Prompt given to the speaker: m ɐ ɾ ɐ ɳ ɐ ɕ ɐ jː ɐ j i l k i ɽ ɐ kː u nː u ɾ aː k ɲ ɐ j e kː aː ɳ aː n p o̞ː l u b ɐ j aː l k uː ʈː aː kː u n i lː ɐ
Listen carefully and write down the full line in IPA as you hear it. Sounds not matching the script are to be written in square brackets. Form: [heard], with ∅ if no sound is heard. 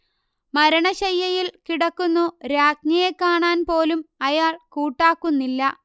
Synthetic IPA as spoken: m ɐ ɾ ɐ ɳ ɐ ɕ ɐ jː ɐ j i l k i ɽ ɐ kː u nː u ɾ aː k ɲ ɐ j e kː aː ɳ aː n p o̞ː l u [m] ɐ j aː [ɭ] k uː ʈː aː kː u [nː] i lː ɐ